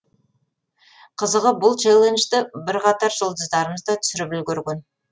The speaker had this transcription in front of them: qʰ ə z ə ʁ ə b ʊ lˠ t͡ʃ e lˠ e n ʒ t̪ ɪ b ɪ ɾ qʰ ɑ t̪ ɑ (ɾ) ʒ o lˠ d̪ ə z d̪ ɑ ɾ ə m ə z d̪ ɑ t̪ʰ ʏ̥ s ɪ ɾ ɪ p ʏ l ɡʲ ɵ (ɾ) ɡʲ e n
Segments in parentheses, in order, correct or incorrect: correct, correct

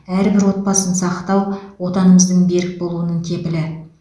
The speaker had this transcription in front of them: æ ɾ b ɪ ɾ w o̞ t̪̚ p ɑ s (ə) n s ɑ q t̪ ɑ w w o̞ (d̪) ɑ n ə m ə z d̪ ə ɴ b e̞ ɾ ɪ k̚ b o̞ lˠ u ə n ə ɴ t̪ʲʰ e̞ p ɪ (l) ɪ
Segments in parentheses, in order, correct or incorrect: correct, incorrect: t̪, correct

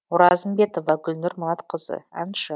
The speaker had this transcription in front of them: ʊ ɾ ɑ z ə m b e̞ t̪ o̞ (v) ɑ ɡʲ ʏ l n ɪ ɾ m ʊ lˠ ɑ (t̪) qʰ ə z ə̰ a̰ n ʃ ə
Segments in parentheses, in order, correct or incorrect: correct, correct

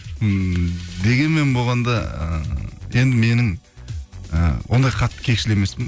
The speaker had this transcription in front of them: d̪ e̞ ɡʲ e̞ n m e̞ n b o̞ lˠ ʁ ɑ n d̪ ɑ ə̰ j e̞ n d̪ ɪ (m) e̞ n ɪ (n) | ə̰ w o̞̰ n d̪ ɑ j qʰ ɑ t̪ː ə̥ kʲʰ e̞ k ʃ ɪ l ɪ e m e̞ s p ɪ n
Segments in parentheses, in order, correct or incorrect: correct, incorrect: ŋ

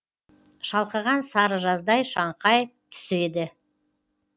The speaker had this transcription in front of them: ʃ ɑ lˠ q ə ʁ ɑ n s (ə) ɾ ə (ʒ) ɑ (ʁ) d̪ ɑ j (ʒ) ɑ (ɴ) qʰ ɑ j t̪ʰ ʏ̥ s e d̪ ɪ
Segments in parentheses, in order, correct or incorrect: incorrect: ɑ, correct, incorrect: z, incorrect: ʃ, correct

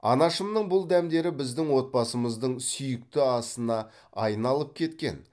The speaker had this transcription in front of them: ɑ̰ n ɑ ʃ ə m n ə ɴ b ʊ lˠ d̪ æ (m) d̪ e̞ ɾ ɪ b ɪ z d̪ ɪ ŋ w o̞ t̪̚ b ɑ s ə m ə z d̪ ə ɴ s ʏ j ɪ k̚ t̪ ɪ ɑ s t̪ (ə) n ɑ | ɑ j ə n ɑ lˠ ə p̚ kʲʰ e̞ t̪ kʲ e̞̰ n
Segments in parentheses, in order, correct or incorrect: correct, correct

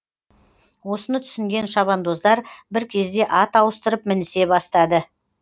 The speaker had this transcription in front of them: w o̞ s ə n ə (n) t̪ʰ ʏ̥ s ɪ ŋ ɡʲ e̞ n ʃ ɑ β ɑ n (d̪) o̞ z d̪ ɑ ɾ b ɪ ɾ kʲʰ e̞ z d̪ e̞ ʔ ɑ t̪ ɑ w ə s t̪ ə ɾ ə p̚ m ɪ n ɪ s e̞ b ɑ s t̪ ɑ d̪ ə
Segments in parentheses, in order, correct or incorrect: incorrect: none, correct

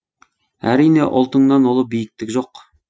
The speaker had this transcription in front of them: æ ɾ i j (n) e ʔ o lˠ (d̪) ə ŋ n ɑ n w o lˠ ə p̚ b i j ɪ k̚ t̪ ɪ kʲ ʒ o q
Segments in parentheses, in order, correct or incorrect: correct, incorrect: t̪

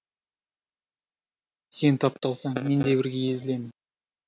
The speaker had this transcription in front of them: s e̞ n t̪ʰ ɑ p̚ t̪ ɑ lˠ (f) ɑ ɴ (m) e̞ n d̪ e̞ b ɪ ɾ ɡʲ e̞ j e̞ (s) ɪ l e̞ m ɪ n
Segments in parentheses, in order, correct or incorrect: incorrect: s, correct, incorrect: z

